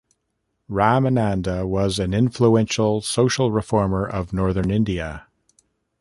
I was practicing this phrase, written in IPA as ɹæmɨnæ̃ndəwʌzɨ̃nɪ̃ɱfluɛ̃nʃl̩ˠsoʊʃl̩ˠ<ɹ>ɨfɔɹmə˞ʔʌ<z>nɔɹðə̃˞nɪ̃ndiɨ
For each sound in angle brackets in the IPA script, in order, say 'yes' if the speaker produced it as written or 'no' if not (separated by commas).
yes, no